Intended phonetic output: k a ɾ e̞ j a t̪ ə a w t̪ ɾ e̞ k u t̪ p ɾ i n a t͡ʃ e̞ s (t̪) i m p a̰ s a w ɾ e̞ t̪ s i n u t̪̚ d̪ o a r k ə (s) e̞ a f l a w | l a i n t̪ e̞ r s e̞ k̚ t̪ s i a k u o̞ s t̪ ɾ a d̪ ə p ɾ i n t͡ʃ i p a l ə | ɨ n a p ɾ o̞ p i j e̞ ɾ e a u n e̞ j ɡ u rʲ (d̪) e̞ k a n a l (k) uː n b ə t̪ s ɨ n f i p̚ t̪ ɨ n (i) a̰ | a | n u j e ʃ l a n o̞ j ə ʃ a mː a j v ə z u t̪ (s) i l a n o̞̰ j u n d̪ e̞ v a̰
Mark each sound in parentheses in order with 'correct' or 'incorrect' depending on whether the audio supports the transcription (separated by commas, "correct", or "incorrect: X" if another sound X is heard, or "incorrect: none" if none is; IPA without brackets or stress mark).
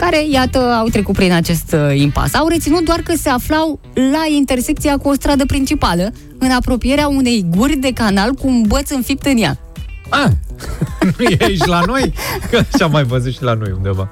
correct, correct, correct, correct, incorrect: j, incorrect: ʃ